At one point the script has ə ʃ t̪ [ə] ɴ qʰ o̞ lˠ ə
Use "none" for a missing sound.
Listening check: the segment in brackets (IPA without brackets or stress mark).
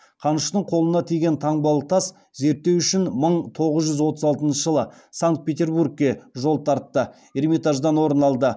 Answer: ə